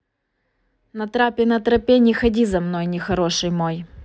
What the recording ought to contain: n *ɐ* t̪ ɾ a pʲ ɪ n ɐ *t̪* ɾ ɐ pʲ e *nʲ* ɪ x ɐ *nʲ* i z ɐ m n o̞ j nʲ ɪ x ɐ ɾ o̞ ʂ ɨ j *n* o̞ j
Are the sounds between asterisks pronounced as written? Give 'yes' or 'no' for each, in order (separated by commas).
yes, yes, yes, no, no